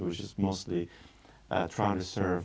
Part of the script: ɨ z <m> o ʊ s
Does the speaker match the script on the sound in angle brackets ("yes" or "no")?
yes